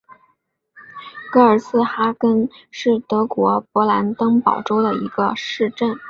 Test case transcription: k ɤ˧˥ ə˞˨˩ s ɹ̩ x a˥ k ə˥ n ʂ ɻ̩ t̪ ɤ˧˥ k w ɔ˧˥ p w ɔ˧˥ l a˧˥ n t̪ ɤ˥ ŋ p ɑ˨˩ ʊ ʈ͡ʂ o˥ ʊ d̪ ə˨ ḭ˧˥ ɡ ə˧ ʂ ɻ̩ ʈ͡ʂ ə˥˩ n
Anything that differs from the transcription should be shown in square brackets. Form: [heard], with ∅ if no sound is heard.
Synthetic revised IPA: k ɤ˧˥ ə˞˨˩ s ɹ̩ x a˥ k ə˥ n ʂ ɻ̩ t̪ ɤ˧˥ k w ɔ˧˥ p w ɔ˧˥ l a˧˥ n t̪ ɤ˥ ŋ p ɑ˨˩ ʊ ʈ͡ʂ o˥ ʊ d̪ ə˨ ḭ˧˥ ɡ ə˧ ʂ ɻ̩ ʈ͡ʂ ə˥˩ n